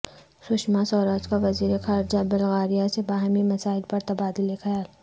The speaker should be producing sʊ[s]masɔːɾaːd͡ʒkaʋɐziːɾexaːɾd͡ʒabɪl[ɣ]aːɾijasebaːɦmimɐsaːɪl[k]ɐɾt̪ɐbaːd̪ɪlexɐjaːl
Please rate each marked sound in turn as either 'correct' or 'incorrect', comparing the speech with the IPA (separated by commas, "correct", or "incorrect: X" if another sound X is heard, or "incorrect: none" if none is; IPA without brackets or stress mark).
incorrect: ʃ, correct, incorrect: p